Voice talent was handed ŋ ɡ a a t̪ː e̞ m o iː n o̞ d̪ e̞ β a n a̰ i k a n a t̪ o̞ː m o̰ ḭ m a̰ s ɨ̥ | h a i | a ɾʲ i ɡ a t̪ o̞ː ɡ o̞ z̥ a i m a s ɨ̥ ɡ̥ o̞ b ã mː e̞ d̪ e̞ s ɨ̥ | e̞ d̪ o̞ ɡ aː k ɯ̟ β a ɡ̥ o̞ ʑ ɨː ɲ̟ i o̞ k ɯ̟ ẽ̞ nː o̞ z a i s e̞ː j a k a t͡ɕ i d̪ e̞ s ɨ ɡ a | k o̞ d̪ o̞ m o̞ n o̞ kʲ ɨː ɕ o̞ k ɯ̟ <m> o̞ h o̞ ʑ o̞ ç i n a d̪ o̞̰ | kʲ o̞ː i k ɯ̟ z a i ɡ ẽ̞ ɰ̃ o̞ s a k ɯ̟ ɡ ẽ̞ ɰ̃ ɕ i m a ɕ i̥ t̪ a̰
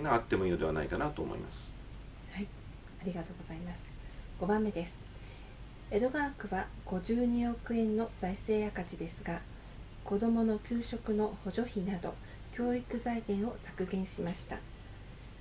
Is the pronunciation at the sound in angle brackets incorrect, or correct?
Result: incorrect